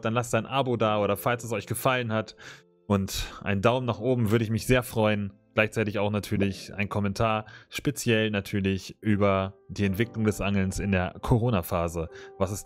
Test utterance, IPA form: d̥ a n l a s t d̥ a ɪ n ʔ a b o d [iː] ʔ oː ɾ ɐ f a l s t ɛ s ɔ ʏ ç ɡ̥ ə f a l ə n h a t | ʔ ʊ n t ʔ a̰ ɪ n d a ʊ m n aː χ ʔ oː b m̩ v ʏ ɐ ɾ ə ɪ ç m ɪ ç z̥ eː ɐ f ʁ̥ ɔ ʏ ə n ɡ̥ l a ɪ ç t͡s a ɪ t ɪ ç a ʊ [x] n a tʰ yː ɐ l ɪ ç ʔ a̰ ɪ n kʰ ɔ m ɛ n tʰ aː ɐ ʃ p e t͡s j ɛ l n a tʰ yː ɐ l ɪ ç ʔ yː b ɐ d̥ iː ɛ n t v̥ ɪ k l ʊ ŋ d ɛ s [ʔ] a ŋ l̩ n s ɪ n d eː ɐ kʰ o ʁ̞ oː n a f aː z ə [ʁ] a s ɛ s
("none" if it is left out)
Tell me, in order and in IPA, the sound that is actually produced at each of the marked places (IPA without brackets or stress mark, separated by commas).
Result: aː, x, ʔ, v